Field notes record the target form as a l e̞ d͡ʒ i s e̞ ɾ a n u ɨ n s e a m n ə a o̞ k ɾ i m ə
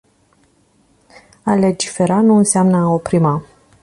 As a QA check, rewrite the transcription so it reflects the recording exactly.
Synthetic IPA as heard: a l e̞ d͡ʒ i f e̞ ɾ a n u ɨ n s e a m n ə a o̞ p ɾ i m a